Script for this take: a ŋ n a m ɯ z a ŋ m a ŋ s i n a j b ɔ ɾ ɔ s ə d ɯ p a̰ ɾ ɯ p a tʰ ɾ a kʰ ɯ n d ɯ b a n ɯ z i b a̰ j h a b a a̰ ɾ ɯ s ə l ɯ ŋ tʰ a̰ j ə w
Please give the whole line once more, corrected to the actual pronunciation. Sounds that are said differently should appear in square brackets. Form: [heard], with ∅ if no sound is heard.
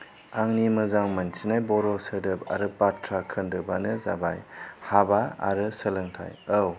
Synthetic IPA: a ŋ n [i] m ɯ z a ŋ m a [n] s i n a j b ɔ ɾ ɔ s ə d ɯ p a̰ ɾ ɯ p a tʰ ɾ a kʰ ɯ n d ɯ b a n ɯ z [a] b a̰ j h a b a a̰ ɾ ɯ s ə l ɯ ŋ tʰ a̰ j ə w

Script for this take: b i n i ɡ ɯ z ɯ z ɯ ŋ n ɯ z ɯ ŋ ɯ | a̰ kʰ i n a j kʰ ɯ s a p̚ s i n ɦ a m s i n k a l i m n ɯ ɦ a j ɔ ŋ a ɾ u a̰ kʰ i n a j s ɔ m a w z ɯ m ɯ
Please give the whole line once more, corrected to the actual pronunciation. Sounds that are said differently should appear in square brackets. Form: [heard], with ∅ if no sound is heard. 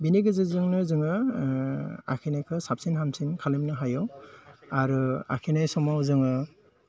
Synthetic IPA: b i n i ɡ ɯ z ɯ z ɯ ŋ n ɯ z ɯ ŋ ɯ | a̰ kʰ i n a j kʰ ɯ s a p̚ s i n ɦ a m s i n [kʰ] a l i m n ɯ ɦ a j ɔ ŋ a ɾ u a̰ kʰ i n a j s ɔ m a w z ɯ [ŋ] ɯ

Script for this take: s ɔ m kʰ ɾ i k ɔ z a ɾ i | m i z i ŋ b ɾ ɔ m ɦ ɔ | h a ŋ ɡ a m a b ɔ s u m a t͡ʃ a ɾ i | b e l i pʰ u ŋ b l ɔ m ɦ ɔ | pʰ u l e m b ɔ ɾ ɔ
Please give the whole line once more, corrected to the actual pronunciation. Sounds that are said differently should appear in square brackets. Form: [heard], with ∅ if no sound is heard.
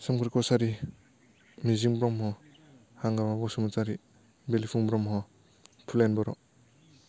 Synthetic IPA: s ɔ m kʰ ɾ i k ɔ [s] a ɾ i | m i z i ŋ b ɾ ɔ m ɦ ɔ | h a ŋ ɡ a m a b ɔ s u m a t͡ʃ a ɾ i | b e l i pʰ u ŋ b [ɾ] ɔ m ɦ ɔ | pʰ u l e [n] b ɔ ɾ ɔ

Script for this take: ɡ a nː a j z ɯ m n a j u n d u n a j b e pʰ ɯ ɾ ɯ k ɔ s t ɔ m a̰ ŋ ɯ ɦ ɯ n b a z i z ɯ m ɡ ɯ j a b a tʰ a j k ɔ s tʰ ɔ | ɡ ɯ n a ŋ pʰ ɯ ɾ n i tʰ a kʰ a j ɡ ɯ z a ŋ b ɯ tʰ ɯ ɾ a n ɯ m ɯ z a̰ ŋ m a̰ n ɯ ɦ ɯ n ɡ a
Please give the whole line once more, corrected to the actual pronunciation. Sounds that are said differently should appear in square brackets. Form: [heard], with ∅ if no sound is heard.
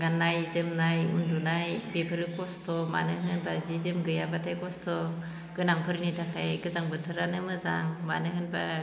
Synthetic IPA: ɡ a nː a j z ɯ m n a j u n d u n a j b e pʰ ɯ ɾ ɯ k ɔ s t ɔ m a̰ [n] ɯ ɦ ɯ n b a z i z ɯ m ɡ ɯ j a b a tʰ a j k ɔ s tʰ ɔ | ɡ ɯ n a ŋ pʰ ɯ ɾ n i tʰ a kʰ a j ɡ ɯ z a ŋ b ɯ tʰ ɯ ɾ a n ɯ m ɯ z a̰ ŋ m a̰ n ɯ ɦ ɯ n [b] a

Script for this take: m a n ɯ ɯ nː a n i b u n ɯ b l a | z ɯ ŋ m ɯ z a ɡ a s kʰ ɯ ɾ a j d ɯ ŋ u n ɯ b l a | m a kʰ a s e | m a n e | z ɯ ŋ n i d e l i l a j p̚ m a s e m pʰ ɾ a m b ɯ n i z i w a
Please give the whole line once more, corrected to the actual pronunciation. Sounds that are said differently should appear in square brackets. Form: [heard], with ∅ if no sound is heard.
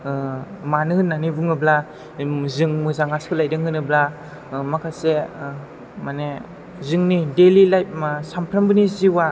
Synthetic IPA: m a n ɯ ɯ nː a n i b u [ŋ] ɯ b l a | z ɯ ŋ m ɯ z a [ŋ] a s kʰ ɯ [l] a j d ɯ ŋ [ɯ] n ɯ b l a | m a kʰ a s e | m a n e | z ɯ ŋ n i d e l i l a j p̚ m a s [a] m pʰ ɾ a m b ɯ n i z i w a

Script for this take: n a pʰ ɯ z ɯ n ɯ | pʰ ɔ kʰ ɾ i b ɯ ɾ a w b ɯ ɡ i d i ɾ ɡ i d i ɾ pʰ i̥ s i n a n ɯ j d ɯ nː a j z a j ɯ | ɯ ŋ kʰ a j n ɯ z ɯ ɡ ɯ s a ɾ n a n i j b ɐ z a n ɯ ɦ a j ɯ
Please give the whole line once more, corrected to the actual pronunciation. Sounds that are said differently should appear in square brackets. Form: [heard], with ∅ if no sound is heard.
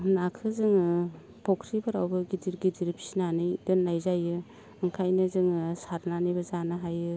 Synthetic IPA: n a [kʰ] ɯ z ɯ [ŋ] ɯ | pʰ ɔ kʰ ɾ i b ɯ ɾ a w b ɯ ɡ i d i ɾ ɡ i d i ɾ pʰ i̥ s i n a n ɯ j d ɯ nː a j z a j ɯ | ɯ ŋ kʰ a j n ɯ z ɯ [ŋ] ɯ s a ɾ n a n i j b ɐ z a n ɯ ɦ a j ɯ

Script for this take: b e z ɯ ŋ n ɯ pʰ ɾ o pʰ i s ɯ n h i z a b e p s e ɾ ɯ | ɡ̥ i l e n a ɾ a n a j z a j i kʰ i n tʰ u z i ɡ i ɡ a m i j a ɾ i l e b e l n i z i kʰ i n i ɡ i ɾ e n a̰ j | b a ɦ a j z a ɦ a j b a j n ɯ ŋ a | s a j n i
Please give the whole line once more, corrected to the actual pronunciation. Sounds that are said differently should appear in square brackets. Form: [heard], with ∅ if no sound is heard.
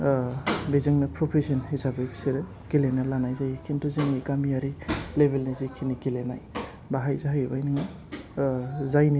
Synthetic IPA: b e z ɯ ŋ n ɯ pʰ ɾ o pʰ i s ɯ n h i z a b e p s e ɾ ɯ | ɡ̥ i l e n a [l] a n a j z a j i kʰ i n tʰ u z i [ŋ] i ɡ a m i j a ɾ i l e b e l n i z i kʰ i n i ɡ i [l] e n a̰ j | b a ɦ a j z a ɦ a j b a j n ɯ ŋ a | [z] a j n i

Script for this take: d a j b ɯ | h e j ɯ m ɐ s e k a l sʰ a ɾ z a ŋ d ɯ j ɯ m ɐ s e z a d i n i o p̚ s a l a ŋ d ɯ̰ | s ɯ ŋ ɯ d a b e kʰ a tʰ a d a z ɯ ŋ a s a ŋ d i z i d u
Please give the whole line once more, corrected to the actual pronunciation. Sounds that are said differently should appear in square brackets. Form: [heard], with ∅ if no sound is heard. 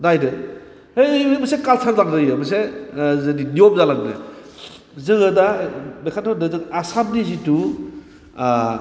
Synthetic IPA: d a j [d] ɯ | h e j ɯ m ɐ s e k a l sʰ a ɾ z a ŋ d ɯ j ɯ m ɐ s e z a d i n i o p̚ [z] a l a ŋ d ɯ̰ | [z] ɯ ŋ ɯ d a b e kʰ a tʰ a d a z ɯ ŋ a s a [m] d i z i [t] u

